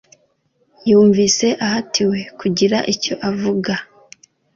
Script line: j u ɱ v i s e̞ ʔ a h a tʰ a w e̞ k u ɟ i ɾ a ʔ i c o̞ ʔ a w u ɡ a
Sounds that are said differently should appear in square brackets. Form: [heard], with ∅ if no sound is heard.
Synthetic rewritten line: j [uː] ɱ v i s e̞ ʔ a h a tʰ [i] w e̞ k u ɟ i ɾ a ʔ i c o̞ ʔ a [v] u ɡ a